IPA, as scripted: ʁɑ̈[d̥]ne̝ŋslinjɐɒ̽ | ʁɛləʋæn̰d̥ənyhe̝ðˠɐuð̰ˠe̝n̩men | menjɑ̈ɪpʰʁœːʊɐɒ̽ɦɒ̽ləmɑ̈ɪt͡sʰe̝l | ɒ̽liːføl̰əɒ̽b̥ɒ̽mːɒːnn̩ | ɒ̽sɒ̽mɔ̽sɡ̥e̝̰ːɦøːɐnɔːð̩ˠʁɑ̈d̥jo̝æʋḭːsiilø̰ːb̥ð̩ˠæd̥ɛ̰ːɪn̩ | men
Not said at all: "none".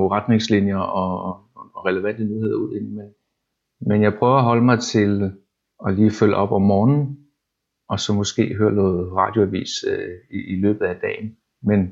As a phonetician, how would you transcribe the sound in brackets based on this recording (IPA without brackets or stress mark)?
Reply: d̥